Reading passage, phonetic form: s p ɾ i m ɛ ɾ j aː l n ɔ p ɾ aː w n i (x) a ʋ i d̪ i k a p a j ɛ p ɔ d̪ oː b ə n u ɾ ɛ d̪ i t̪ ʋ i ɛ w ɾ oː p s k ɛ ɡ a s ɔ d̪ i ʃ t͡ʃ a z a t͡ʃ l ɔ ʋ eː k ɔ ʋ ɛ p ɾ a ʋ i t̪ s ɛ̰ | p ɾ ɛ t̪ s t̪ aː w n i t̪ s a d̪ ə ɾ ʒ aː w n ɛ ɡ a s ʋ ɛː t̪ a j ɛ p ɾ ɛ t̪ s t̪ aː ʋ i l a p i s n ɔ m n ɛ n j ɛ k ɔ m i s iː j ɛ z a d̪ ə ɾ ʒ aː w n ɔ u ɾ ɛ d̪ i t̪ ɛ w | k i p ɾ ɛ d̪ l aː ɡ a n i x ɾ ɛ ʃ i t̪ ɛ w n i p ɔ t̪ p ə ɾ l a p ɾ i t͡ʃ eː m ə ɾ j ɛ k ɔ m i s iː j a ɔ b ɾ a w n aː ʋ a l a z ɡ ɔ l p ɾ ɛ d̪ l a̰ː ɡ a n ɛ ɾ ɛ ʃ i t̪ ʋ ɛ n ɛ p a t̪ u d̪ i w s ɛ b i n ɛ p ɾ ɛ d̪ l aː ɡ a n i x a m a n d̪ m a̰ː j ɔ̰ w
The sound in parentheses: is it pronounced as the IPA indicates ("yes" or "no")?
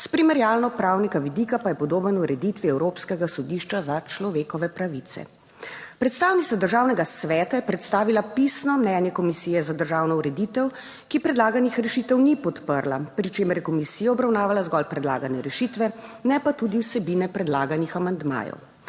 no